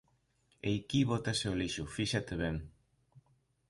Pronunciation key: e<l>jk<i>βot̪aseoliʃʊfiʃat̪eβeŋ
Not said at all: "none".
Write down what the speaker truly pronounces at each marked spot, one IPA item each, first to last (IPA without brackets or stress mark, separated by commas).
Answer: none, i